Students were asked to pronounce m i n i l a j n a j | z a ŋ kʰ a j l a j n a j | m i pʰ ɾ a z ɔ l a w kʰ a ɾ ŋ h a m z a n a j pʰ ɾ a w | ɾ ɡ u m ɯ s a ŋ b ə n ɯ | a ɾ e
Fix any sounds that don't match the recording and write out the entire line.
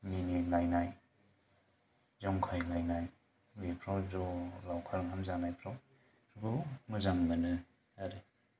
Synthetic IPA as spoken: m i n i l a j n a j | z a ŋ kʰ a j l a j n a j | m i pʰ ɾ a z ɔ l a w kʰ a ɾ ŋ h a m z a n a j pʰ ɾ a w | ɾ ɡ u m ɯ z a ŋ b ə n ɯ | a ɾ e